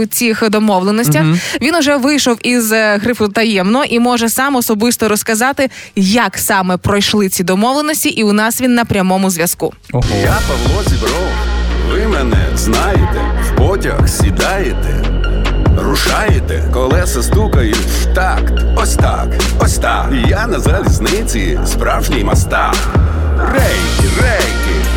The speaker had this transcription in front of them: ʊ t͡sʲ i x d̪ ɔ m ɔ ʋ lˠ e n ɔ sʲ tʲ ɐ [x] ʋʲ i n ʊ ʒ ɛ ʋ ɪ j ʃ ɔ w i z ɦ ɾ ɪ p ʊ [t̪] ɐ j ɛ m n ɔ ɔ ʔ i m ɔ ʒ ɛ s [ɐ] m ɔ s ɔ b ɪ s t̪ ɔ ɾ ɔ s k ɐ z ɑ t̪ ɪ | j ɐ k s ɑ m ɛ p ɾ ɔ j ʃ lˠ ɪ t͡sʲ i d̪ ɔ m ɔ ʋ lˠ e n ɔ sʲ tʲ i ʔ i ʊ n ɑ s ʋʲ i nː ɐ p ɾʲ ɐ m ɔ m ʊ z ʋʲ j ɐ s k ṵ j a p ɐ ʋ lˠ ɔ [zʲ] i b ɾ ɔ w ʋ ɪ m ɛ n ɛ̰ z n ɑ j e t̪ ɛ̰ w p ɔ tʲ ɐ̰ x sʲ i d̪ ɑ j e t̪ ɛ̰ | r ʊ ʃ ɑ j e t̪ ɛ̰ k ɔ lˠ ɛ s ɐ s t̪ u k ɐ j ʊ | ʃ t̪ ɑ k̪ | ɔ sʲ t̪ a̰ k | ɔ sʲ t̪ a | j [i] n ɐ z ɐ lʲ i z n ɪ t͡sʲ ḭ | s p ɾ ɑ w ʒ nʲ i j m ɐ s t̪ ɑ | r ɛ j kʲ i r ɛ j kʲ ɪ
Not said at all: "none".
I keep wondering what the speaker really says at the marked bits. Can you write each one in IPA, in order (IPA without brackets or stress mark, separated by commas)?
x, t̪, ɑ, zʲ, a